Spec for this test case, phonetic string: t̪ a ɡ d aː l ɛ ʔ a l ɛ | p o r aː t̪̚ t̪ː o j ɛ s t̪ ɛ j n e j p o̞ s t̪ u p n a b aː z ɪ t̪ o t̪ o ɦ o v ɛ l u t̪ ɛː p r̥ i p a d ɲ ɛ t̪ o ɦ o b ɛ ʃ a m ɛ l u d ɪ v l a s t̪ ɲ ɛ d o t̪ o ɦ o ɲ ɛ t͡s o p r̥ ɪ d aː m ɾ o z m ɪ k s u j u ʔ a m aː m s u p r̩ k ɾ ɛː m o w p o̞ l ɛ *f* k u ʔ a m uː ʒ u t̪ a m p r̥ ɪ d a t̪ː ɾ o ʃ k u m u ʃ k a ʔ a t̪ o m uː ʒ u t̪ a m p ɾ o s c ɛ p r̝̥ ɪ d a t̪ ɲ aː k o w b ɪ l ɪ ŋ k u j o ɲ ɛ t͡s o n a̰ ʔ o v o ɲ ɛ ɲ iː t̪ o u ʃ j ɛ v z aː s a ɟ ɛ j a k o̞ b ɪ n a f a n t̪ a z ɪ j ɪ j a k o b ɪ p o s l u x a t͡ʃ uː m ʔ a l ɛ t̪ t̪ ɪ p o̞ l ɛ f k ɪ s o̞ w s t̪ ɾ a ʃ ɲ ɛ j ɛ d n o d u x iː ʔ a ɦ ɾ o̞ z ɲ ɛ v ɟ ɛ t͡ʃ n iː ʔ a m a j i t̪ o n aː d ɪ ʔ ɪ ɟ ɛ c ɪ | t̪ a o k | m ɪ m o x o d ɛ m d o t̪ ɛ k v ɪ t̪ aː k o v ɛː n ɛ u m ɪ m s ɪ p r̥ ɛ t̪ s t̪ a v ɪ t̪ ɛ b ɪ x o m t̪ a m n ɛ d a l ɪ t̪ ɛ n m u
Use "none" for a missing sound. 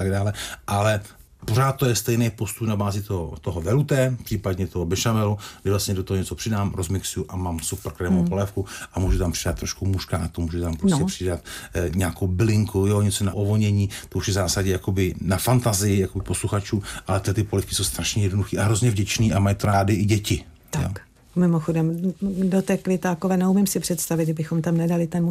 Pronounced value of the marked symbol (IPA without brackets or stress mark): f